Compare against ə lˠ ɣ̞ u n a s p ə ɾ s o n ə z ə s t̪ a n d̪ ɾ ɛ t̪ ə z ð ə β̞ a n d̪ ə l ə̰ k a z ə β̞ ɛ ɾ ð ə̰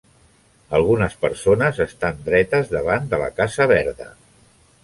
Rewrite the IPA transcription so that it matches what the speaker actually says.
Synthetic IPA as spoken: ə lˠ ɣ̞ u n ə s p ə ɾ s o n ə z ə s t̪ a n d̪ ɾ ɛ t̪ ə z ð ə β̞ a n d̪ ə l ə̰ k a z ə β̞ ɛ ɾ ð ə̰